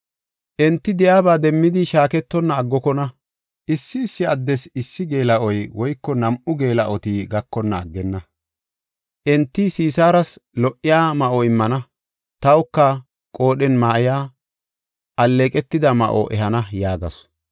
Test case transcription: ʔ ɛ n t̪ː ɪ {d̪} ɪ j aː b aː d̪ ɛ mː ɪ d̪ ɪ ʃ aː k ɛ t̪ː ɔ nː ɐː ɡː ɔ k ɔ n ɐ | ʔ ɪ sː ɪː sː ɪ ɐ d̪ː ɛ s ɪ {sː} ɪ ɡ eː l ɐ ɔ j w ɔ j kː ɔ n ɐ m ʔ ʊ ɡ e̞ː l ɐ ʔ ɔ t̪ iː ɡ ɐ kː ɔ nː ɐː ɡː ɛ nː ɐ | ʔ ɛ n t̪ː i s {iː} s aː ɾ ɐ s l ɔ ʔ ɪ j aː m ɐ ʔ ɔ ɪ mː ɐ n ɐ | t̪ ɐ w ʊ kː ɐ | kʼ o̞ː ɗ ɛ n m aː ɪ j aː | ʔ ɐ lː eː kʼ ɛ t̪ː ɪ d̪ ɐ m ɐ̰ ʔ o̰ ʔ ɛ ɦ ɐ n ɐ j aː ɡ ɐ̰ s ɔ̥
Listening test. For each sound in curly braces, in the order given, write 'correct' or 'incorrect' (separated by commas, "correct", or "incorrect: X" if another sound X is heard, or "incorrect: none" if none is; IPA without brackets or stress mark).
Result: correct, correct, correct